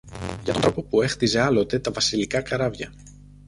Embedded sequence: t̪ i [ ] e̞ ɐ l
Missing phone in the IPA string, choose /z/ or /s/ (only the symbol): z